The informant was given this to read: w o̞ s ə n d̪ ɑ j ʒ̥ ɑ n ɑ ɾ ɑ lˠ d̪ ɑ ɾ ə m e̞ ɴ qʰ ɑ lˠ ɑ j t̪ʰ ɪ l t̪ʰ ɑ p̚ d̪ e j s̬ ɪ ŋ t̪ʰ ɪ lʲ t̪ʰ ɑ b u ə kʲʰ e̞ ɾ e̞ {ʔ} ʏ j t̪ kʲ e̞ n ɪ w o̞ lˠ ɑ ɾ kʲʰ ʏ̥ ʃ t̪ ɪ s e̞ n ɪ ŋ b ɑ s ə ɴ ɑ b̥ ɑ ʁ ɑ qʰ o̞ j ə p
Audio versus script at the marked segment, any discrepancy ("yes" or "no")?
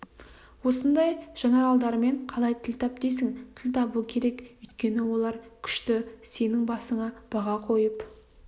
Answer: yes